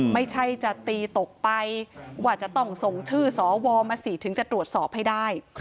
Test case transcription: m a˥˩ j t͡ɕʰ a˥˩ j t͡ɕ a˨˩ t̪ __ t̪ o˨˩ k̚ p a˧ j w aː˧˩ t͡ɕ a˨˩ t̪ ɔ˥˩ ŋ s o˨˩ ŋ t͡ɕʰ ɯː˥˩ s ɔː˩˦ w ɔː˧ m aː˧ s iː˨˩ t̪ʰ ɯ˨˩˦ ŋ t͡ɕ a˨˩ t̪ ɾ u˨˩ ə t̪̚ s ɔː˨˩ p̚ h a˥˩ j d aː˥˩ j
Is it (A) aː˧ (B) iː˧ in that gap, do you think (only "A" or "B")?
B